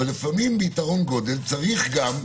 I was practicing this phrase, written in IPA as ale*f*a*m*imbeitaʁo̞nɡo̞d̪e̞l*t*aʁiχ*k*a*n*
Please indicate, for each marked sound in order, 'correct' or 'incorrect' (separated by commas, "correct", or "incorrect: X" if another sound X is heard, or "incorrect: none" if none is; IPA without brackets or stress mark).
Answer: correct, correct, incorrect: t͡s, incorrect: ɡ, incorrect: m